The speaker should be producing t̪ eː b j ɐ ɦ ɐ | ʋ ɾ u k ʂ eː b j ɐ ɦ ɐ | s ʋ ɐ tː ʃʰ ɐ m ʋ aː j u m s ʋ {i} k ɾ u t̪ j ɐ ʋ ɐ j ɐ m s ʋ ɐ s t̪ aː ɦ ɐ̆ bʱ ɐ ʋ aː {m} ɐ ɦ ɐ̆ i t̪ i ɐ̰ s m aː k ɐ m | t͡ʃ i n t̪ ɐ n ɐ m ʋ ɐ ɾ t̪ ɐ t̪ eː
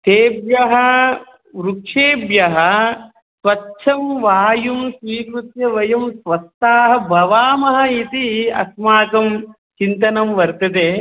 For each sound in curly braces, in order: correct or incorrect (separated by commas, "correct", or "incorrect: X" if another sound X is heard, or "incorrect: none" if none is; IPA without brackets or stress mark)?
incorrect: iː, correct